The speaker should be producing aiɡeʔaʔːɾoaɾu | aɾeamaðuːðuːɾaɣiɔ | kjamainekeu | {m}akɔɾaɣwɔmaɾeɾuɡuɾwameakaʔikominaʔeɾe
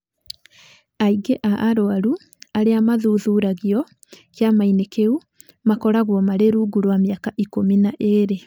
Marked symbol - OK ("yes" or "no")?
yes